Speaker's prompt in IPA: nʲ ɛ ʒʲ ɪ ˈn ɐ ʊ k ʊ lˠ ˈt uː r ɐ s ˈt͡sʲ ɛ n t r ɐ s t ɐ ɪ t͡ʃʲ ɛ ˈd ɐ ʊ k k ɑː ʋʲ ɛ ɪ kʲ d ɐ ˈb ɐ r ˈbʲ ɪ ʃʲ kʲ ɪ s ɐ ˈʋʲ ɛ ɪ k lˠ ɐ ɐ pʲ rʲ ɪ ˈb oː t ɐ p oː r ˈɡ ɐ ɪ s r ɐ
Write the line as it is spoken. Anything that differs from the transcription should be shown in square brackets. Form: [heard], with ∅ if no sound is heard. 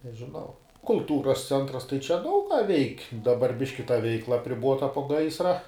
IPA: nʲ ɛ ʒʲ ɪ ˈn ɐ ʊ k ʊ lˠ ˈt uː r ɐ s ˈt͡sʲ ɛ n t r ɐ s t ɐ ɪ t͡ʃʲ ɛ ˈd ɐ ʊ k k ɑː ʋʲ ɛ ɪ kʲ d ɐ ˈb ɐ r ˈbʲ ɪ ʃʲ kʲ ɪ [t] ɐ ˈʋʲ ɛ ɪ k lˠ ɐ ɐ pʲ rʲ ɪ ˈb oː t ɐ p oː [∅] ˈɡ ɐ ɪ s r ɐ

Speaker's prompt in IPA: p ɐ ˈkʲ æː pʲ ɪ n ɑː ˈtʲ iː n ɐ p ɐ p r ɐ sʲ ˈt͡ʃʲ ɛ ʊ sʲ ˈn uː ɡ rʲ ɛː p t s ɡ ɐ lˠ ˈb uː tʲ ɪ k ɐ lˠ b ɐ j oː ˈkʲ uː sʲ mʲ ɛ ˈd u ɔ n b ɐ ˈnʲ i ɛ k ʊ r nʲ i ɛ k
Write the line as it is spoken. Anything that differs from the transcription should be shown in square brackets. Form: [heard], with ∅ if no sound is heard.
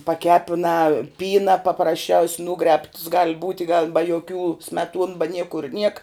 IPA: p ɐ ˈkʲ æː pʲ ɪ n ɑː [ˈpʲ] iː n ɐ p ɐ p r ɐ sʲ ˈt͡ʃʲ ɛ ʊ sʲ ˈn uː ɡ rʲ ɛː p t s ɡ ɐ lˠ ˈb uː tʲ ɪ [ɡ] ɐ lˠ b ɐ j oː ˈkʲ uː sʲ mʲ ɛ [ˈt] u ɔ n b ɐ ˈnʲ i ɛ k ʊ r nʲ i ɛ k

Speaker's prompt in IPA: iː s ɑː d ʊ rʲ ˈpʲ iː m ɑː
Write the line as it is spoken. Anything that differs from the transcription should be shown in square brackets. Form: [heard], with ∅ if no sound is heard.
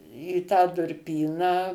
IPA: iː [t] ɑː d ʊ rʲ ˈpʲ iː [n] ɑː

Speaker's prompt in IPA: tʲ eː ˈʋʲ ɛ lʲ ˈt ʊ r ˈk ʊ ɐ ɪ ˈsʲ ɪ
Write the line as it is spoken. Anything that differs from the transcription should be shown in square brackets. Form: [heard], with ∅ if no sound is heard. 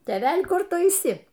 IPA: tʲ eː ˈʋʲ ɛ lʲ [ˈk] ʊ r [ˈt] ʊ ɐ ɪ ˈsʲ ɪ

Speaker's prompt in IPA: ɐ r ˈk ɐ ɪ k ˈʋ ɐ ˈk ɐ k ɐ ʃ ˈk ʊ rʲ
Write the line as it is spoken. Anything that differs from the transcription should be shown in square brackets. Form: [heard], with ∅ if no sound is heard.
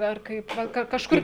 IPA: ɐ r ˈk ɐ ɪ [p] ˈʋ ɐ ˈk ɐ k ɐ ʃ ˈk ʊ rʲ

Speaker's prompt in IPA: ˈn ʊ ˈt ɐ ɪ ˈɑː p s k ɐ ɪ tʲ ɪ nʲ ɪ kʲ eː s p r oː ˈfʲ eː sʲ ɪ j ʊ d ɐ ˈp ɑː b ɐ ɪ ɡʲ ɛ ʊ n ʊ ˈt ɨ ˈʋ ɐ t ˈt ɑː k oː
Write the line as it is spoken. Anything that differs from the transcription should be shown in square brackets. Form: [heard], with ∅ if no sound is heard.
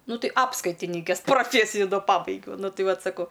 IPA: ˈn ʊ ˈt ɐ ɪ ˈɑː p s k ɐ ɪ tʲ ɪ nʲ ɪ kʲ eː s p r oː ˈfʲ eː sʲ ɪ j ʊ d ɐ ˈp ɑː b ɐ ɪ ɡʲ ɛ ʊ n ʊ ˈt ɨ ˈʋ ɐ t [ˈs] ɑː k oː

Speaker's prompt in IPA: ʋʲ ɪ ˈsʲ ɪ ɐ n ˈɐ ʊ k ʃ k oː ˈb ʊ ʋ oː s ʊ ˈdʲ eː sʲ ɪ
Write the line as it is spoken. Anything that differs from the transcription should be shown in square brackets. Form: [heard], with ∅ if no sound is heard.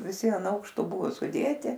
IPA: ʋʲ ɪ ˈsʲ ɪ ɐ n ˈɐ ʊ k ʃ [t] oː ˈb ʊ ʋ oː s ʊ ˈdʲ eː [tʲ] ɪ

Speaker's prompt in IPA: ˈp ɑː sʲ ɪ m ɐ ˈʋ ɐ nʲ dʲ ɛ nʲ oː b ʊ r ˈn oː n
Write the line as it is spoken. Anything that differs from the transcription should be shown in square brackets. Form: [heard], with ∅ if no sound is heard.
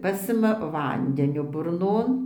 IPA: ˈp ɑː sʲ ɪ m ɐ ˈʋ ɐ nʲ dʲ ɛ nʲ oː b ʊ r ˈn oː n

